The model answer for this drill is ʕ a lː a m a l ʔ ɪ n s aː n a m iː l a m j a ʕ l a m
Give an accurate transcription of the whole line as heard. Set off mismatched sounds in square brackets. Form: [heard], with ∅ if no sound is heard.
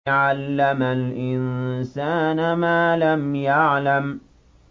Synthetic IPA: ʕ a lː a m a l ʔ ɪ n s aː n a m [aː] l a m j a ʕ l a m